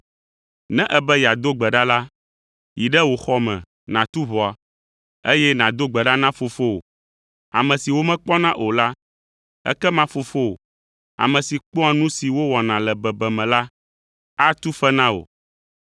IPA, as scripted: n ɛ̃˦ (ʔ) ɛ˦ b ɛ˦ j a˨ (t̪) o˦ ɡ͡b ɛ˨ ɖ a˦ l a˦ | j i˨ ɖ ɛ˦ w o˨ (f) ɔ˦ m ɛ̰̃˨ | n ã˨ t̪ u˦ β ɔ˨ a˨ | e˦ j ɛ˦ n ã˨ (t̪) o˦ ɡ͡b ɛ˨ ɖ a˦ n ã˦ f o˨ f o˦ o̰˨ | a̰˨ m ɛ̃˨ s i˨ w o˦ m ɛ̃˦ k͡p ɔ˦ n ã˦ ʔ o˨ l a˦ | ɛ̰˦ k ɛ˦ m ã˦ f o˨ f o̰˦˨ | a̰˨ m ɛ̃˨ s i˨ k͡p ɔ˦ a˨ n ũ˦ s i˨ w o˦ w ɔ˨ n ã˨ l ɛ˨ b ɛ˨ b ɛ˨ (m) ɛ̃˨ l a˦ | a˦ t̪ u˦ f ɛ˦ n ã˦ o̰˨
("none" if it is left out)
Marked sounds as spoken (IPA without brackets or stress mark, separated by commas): ʔ, d̪, x, d̪, m